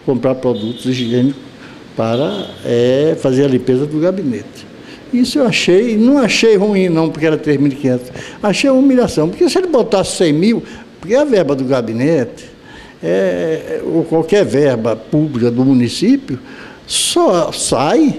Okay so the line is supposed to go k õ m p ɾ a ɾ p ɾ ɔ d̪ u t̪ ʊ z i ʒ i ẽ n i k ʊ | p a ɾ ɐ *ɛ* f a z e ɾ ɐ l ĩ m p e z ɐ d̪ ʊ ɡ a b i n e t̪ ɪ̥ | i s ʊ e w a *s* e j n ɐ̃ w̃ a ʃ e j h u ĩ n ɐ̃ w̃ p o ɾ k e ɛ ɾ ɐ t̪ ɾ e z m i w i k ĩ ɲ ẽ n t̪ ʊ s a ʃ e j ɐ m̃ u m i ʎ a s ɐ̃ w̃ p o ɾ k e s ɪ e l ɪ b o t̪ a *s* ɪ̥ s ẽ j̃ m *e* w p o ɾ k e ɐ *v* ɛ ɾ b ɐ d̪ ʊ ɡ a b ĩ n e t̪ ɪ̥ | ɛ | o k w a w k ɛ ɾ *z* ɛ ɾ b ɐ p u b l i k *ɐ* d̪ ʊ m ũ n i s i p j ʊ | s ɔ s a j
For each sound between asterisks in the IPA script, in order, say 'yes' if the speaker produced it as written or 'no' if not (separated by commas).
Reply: yes, no, yes, no, yes, no, yes